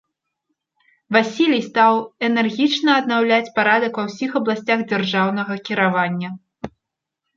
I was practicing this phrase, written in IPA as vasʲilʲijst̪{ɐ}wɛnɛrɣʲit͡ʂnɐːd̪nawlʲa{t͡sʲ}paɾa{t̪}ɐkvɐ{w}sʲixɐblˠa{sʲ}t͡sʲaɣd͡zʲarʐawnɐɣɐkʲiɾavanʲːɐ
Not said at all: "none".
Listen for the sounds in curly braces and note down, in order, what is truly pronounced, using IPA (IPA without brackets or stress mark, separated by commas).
a, t͡sʲ, d̪, w, sʲ